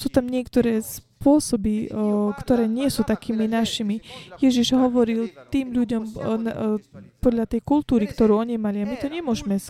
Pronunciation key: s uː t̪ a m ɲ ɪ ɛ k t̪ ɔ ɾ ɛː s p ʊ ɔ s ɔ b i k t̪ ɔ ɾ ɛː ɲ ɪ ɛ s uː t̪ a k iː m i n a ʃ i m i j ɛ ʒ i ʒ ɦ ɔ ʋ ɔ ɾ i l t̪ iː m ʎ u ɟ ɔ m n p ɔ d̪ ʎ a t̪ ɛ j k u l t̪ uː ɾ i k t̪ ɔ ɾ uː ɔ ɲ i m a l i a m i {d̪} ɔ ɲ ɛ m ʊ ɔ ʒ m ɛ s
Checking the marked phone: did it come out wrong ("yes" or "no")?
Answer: yes